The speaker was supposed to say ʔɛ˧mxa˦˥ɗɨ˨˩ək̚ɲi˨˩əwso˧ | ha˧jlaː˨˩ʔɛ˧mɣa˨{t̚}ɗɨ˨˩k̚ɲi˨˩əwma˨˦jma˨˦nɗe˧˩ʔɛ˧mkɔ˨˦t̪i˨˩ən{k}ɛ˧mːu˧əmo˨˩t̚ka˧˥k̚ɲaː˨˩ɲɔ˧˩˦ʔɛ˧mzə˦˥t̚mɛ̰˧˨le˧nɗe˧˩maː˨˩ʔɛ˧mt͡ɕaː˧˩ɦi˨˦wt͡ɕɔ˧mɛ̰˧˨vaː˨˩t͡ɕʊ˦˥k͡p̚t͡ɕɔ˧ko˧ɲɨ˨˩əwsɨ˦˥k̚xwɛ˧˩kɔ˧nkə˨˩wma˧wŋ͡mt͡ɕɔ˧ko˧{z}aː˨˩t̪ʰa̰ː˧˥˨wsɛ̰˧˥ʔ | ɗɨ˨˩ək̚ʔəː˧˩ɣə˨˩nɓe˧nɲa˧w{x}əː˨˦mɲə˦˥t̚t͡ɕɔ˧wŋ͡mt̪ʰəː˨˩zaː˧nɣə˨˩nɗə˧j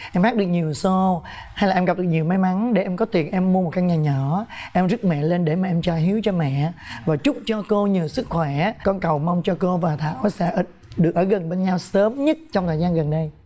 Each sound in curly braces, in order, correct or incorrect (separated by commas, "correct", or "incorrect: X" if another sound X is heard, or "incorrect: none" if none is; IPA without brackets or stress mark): incorrect: p̚, incorrect: ʔ, incorrect: v, incorrect: s